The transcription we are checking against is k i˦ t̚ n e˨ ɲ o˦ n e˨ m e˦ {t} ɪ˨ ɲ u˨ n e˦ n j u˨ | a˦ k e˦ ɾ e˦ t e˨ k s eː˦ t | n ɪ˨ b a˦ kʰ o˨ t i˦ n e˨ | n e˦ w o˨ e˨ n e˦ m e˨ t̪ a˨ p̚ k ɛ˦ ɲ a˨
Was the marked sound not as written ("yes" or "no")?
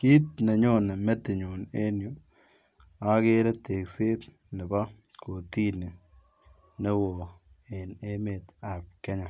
no